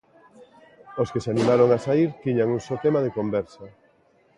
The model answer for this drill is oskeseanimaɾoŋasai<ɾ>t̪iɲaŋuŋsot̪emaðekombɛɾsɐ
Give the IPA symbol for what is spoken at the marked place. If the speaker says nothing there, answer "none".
ɾ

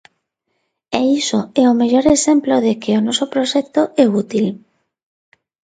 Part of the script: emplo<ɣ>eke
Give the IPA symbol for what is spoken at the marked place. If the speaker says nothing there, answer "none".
ð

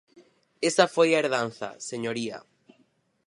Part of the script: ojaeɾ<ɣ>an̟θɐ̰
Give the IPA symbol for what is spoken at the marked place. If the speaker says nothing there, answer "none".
ð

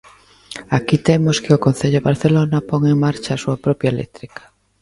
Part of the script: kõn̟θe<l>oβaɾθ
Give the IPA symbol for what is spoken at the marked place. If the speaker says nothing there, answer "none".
ʎ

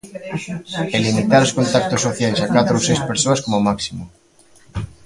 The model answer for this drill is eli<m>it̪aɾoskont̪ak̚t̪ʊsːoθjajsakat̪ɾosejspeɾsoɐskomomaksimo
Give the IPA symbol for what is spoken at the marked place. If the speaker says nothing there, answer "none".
m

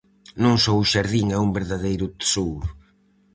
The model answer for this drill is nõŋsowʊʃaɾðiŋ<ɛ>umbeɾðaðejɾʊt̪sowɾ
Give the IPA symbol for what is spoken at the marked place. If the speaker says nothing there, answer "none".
ɛ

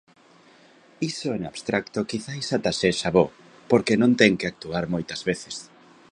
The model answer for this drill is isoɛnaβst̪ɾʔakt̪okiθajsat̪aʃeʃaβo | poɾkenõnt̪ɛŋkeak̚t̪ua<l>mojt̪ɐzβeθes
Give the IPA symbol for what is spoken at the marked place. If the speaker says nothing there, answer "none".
ɾ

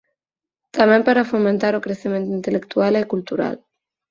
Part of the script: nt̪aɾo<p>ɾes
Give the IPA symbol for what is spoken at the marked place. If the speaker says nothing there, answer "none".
k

